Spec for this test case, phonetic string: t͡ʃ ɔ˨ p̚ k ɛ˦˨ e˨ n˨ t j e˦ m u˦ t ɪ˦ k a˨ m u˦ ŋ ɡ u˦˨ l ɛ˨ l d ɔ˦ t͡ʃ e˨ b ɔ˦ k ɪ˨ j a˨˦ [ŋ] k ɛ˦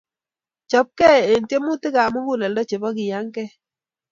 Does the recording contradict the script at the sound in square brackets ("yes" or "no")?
no